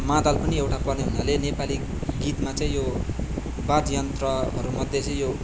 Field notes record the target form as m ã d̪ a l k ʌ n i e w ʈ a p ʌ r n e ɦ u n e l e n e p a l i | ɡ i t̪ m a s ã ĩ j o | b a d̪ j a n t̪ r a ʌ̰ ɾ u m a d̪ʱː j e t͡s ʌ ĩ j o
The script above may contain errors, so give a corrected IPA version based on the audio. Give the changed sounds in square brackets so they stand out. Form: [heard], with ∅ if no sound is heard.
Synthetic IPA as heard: m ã d̪ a l [p] ʌ n i e w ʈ a p ʌ r n e ɦ u n [a] l e n e p a l i | ɡ i t̪ m a [t͡s] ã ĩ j o | b a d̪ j [ʌ] n t̪ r [ʌ] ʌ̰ ɾ u m [ʌ] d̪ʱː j e t͡s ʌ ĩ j o